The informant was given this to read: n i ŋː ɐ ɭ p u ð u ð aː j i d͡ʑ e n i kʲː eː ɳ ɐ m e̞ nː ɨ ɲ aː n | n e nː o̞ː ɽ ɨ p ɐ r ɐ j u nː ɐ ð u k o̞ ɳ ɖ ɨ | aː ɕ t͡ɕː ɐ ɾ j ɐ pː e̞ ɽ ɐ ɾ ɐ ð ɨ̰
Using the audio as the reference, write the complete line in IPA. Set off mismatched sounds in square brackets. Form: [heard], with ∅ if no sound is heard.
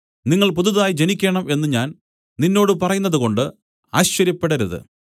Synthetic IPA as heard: n i ŋː ɐ ɭ p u ð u ð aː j i d͡ʑ e n i kʲː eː ɳ ɐ m e̞ nː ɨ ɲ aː n | n [i] nː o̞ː ɽ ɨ p ɐ r ɐ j u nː ɐ ð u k o̞ ɳ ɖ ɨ | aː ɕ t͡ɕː ɐ ɾ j ɐ pː e̞ ɽ ɐ ɾ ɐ ð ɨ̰